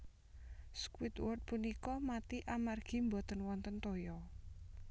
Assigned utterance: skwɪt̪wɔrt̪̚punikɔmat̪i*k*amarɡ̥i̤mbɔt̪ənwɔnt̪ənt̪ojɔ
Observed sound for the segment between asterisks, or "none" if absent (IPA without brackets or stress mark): ʔ